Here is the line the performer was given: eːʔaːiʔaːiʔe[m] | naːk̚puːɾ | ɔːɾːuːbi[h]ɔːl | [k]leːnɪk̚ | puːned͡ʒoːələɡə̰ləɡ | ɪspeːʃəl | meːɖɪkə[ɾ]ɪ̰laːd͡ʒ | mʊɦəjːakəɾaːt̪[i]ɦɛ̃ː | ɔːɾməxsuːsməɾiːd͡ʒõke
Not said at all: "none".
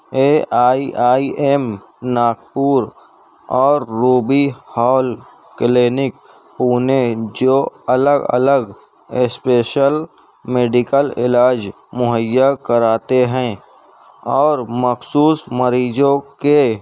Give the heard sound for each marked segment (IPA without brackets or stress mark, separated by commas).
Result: m, h, k, l, e